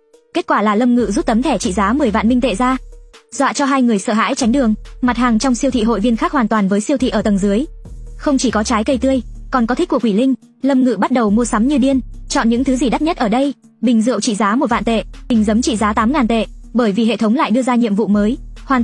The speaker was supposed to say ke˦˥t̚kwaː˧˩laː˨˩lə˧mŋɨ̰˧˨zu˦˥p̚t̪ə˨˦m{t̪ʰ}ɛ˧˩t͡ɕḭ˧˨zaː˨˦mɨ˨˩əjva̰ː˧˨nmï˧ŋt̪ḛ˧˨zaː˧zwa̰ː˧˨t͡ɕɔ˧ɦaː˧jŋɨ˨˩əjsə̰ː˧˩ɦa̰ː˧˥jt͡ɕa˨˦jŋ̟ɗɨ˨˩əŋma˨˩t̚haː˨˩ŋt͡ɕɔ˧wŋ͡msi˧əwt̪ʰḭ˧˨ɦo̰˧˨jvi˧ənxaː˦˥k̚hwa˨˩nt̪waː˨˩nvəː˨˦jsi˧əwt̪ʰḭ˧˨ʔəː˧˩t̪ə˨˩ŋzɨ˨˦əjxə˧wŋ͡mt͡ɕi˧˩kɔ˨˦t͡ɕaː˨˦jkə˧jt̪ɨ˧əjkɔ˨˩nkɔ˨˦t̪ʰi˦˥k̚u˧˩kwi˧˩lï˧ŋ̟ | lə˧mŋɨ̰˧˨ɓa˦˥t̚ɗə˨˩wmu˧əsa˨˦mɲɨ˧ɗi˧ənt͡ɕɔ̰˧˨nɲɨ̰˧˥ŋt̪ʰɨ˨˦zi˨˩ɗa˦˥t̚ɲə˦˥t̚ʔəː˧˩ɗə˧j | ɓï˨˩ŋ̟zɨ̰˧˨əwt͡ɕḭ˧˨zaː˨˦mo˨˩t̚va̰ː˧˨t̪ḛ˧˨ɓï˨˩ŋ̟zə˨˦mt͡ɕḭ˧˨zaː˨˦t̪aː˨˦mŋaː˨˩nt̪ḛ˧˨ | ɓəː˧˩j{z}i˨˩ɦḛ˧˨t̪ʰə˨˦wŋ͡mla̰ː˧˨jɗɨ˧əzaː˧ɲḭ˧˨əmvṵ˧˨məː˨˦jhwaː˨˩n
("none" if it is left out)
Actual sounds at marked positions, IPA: t̪ʰ, v

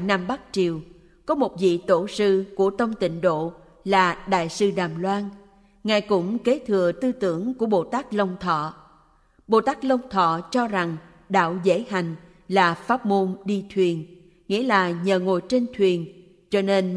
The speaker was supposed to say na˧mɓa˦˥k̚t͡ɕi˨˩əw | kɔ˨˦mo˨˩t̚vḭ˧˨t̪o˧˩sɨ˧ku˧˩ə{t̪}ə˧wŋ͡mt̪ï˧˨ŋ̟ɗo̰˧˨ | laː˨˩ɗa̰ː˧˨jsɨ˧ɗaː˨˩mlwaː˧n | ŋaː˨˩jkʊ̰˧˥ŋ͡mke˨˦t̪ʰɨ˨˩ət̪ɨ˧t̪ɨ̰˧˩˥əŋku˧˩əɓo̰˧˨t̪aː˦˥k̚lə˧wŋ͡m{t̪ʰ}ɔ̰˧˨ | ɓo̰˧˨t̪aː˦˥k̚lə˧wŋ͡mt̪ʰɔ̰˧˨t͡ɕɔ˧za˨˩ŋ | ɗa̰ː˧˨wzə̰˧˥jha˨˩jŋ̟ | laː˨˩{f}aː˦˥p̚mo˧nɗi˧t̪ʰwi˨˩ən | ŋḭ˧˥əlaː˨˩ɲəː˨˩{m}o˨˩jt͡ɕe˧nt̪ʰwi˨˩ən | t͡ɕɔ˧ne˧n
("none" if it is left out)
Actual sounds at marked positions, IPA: t̪, t̪ʰ, f, ŋ

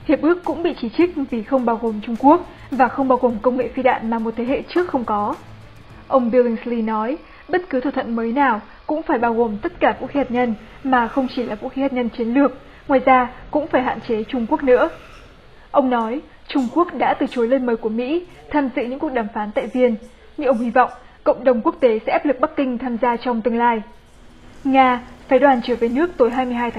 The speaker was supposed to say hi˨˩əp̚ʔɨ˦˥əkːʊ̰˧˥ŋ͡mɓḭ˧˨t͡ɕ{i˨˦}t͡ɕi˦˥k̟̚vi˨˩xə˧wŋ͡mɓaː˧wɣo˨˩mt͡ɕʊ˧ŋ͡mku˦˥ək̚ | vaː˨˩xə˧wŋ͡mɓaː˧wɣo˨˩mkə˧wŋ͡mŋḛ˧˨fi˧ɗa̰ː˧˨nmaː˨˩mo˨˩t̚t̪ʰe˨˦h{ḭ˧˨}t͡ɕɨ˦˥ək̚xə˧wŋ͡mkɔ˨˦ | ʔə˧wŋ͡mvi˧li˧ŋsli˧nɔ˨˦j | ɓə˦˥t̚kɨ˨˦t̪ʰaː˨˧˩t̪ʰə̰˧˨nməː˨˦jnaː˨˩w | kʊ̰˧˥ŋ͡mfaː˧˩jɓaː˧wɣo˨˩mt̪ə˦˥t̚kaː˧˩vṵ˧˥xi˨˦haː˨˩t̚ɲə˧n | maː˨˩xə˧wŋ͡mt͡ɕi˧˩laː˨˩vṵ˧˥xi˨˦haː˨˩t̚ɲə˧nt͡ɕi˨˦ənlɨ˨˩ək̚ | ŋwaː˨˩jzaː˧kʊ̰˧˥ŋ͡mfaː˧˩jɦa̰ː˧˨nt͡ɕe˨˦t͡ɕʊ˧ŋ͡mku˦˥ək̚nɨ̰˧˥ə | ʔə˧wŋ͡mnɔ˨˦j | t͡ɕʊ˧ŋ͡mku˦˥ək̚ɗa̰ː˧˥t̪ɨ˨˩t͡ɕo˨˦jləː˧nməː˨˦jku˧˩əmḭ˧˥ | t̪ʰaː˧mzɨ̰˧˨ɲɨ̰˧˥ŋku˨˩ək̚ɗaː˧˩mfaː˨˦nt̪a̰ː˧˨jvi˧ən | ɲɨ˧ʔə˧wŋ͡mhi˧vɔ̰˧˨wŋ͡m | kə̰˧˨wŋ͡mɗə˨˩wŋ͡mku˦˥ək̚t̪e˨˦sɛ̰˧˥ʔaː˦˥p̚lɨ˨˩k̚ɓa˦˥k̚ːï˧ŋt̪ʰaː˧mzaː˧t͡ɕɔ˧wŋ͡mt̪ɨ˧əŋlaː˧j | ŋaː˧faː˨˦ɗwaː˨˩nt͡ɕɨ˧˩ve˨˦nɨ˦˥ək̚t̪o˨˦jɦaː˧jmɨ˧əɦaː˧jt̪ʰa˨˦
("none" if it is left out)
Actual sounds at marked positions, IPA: i˧˩, ḛ˧˨

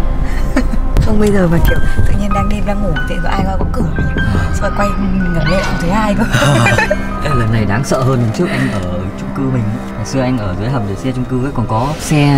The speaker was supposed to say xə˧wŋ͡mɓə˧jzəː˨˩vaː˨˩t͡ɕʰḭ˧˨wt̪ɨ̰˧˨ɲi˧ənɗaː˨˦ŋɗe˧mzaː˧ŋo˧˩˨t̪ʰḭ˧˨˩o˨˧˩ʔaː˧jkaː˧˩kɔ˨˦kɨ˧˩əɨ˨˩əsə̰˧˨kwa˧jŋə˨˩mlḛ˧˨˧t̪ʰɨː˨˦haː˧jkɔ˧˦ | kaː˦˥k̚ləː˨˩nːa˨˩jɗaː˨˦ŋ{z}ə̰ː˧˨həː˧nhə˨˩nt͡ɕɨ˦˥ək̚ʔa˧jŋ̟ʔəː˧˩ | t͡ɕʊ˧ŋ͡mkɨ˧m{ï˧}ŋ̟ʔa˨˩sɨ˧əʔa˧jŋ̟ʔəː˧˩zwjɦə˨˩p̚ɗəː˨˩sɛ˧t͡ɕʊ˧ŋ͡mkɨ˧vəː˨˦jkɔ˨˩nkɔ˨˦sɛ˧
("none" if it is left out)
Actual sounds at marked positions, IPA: s, ï˨˩

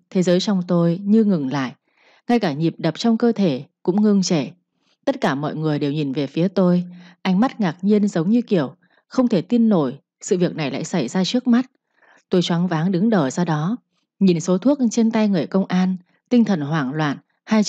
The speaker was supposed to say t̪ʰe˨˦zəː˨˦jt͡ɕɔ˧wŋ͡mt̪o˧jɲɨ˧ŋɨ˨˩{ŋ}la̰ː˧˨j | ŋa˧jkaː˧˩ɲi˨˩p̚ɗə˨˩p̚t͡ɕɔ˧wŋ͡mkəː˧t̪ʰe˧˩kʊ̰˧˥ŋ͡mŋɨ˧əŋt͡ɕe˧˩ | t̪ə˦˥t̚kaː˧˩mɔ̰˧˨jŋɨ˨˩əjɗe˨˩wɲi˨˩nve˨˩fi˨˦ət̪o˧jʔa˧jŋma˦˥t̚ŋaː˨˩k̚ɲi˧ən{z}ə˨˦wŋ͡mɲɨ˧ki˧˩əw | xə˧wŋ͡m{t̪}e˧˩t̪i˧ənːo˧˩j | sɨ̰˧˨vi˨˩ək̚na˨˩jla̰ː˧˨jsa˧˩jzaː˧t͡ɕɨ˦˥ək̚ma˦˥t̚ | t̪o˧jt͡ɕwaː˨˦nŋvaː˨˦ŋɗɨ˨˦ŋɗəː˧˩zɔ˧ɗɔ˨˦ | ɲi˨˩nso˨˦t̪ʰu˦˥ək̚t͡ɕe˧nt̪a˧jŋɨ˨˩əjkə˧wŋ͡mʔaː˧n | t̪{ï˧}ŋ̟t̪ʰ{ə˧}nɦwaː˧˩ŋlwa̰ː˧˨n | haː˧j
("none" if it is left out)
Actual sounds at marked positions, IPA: ŋ, z, t̪ʰ, ï˧, ə˨˩

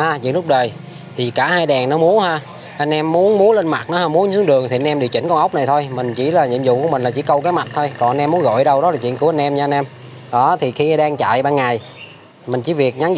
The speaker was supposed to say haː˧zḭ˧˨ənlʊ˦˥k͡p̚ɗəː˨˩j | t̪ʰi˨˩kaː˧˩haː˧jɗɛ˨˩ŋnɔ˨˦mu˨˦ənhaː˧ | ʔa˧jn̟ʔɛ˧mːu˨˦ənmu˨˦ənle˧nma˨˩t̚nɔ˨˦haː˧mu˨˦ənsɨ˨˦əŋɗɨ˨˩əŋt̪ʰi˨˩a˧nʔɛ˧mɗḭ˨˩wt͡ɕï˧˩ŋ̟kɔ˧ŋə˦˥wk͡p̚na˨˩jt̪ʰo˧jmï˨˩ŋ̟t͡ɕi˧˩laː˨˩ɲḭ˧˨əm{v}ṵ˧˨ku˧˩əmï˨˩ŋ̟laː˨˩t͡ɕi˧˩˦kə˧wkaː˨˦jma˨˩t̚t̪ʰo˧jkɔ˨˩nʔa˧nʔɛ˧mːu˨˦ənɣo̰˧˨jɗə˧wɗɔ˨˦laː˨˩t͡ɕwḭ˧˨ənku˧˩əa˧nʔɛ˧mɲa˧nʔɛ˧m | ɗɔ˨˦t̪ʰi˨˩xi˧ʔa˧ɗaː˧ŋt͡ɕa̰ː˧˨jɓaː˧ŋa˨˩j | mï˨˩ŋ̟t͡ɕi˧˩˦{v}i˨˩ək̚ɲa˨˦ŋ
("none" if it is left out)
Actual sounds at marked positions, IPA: z, v

